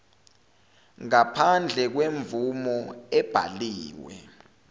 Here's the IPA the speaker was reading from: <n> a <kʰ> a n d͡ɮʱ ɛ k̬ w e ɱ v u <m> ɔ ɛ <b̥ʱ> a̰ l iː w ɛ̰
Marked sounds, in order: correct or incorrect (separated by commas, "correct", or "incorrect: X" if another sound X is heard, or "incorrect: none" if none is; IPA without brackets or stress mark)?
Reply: incorrect: ŋ, incorrect: pʰ, correct, correct